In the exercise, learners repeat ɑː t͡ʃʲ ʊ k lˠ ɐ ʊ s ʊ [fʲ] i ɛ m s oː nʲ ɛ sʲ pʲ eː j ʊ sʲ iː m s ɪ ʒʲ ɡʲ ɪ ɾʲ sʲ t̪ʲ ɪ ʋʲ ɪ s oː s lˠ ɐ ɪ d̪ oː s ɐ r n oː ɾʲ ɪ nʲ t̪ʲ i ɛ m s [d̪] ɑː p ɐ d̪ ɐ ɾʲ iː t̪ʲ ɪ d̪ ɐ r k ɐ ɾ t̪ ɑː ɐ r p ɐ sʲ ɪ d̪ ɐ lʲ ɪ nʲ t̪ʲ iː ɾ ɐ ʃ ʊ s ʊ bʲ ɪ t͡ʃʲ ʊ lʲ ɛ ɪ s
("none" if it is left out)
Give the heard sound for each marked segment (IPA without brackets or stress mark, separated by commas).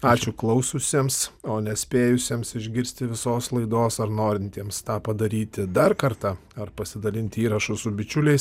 sʲ, t̪